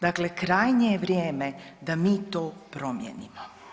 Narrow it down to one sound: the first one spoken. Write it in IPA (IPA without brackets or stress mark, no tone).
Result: d̪